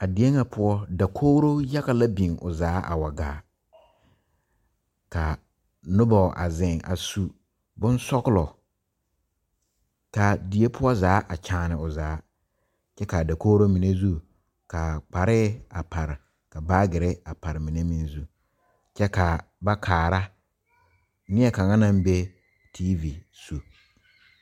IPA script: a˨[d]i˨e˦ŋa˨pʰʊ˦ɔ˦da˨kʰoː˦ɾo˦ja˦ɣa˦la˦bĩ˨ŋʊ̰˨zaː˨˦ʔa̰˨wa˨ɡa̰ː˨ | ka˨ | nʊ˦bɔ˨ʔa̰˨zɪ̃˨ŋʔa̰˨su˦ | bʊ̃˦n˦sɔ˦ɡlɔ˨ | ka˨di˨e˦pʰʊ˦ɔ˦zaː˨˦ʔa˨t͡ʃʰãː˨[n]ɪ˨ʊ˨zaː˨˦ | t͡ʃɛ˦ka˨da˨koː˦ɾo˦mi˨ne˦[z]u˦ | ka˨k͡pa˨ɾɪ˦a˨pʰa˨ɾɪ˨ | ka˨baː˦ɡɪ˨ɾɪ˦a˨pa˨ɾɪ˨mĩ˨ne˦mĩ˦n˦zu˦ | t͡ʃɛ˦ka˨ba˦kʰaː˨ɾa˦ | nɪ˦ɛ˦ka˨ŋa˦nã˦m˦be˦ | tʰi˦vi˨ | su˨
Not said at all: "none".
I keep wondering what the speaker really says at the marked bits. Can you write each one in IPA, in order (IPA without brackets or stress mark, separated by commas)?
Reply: d, n, z